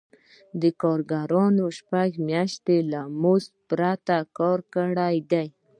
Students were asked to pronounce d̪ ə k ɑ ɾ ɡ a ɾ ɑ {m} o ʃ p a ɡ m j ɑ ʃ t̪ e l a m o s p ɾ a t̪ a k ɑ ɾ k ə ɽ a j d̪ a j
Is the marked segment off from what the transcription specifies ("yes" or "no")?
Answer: yes